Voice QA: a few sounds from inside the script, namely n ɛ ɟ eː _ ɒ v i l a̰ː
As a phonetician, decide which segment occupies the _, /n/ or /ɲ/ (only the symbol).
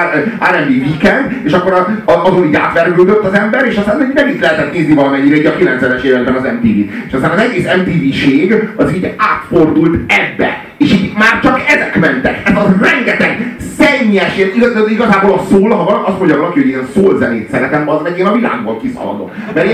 n